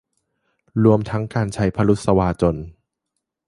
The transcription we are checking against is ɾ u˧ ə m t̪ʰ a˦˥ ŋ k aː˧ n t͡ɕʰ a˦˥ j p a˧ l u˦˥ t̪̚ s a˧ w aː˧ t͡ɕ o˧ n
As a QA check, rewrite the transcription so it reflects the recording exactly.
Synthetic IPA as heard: ɾ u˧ ə m t̪ʰ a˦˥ ŋ k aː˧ n t͡ɕʰ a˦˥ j pʰ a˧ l u˦˥ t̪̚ s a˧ w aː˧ t͡ɕ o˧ n